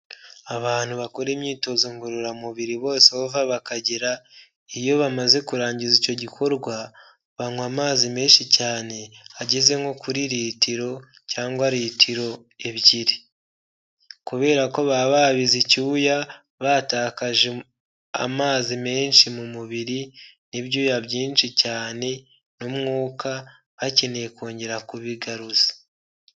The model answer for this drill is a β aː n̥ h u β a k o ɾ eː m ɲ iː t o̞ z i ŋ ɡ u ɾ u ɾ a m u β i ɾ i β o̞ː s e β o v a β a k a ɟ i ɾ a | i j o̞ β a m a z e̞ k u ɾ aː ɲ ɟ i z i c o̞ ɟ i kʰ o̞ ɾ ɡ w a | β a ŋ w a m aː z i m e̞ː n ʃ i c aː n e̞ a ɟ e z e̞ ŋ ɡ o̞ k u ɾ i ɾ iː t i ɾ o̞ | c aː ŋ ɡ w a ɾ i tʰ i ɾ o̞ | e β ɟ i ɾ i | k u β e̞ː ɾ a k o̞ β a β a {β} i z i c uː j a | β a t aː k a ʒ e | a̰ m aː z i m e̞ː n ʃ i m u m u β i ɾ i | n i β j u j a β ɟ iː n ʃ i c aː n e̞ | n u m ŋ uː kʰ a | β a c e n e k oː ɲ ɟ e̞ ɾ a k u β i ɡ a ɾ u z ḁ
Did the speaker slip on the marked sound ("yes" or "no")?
no